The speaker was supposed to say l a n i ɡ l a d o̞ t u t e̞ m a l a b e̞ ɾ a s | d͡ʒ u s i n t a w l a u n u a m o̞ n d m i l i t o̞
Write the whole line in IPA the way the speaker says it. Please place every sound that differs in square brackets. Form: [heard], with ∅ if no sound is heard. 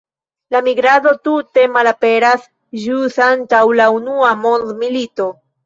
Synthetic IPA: l a [m] i ɡ [ɾ] a d o̞ t u t e̞ m a l a [p] e̞ ɾ a s | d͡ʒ u s [a] n t a w l a u n u a m o̞ n d m i l i t o̞